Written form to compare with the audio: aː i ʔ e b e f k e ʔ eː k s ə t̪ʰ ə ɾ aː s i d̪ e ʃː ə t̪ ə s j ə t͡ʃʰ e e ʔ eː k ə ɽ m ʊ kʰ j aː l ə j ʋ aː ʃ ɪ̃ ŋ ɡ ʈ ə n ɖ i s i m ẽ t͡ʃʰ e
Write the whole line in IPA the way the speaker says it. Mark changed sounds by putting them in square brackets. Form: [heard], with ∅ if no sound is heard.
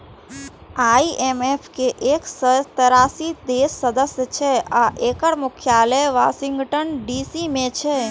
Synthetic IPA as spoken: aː i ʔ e [m] e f k e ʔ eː k s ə [t̪] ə ɾ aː s i d̪ e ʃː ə [d̪] ə s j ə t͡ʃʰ e [a] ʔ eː k ə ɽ m ʊ kʰ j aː l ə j ʋ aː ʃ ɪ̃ ŋ ɡ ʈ ə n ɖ i s i m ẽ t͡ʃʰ e